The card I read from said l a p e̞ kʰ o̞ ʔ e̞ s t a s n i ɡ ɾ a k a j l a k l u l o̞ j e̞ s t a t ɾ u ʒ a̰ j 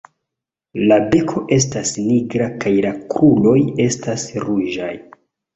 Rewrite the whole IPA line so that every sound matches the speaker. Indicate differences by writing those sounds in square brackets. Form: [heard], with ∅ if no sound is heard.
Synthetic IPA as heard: l a [b] e̞ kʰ o̞ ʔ e̞ s t a s n i ɡ ɾ a k a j l a k [ɾ] u l o̞ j e̞ s t a [s] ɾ u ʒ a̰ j